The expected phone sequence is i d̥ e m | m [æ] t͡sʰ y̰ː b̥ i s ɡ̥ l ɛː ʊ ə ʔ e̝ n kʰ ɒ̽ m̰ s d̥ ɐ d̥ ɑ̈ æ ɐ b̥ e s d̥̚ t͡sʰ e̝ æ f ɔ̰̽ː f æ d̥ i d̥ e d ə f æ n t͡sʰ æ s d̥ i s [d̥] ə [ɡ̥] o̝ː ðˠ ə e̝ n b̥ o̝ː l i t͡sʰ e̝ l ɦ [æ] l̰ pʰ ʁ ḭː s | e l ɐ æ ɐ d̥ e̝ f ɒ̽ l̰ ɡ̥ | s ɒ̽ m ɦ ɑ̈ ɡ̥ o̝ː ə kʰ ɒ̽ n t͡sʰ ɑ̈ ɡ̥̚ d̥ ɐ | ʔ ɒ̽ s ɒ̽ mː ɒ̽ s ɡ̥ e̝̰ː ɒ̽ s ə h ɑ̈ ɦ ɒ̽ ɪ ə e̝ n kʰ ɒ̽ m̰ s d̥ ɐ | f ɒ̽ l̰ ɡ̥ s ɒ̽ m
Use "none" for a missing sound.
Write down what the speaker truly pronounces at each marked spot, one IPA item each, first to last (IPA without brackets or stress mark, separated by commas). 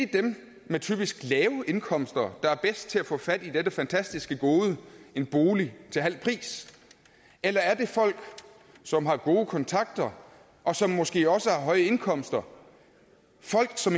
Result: e, ɡ̥, ɡ̥, æ